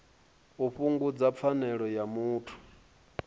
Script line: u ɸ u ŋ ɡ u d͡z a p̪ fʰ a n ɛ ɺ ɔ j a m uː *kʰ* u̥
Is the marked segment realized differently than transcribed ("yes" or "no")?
yes